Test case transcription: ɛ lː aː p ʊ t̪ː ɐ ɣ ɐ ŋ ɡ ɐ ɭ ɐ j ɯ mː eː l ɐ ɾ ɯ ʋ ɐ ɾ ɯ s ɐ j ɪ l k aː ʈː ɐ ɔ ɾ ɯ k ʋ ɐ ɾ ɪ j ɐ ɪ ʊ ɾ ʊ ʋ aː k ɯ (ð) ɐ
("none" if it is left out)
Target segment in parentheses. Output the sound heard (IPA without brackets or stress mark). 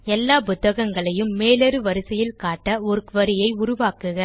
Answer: ɣ